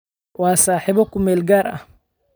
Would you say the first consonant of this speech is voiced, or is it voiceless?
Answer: voiced